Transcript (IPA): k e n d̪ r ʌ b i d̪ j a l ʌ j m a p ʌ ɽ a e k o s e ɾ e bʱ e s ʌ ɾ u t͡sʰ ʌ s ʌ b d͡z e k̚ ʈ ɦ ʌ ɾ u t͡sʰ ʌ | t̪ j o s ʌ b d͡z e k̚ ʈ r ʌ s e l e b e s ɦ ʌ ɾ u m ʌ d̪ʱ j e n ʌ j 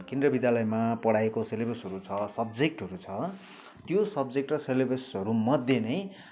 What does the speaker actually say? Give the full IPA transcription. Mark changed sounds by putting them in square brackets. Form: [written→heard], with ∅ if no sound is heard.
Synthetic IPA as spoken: k e n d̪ r ʌ b i d̪ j a l ʌ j m a p ʌ ɽ a e k o s e [ɾ→l] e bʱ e s ʌ ɾ u t͡sʰ ʌ s ʌ b d͡z e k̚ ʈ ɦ ʌ ɾ u t͡sʰ ʌ | t̪ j o s ʌ b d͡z e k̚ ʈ r ʌ s e l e b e s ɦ ʌ ɾ u m ʌ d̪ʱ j e n ʌ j